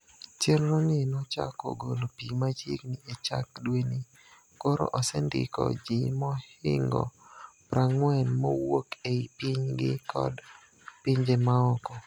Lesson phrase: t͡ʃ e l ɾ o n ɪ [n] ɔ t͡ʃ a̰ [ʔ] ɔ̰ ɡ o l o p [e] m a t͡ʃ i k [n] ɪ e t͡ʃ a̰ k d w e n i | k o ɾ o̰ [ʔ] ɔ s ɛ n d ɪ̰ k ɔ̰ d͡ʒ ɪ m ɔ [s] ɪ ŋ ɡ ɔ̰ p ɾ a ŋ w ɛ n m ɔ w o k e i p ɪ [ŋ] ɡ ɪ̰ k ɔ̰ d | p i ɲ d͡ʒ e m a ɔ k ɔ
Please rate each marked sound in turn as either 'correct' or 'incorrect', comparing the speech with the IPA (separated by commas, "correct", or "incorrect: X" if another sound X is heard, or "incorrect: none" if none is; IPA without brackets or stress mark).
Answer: correct, incorrect: k, incorrect: i, correct, correct, incorrect: h, incorrect: ɲ